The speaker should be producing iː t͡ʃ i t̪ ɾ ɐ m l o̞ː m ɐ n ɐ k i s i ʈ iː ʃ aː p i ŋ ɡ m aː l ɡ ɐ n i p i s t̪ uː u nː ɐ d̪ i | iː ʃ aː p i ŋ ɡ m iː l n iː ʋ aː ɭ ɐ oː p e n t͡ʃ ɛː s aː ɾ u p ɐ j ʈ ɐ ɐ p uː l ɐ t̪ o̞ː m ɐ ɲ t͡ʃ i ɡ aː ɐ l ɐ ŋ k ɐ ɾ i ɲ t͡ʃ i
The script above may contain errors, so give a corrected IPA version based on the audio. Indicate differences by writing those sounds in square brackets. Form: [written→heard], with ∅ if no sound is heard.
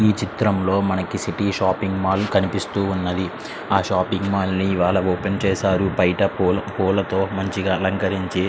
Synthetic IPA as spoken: iː t͡ʃ i t̪ ɾ ɐ m l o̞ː m ɐ n ɐ k i s i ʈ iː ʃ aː p i ŋ ɡ m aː l [ɡ→k] ɐ n i p i s t̪ uː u nː ɐ d̪ i | [iː→aː] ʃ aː p i ŋ ɡ m [iː→aː] l n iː ʋ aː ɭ ɐ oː p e n t͡ʃ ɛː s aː ɾ u p ɐ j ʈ ɐ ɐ p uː l ɐ t̪ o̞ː m ɐ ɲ t͡ʃ i ɡ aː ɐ l ɐ ŋ k ɐ ɾ i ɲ t͡ʃ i